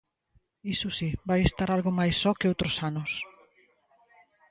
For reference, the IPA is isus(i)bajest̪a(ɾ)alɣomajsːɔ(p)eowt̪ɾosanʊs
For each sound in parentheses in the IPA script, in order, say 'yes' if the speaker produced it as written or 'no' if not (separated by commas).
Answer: yes, yes, no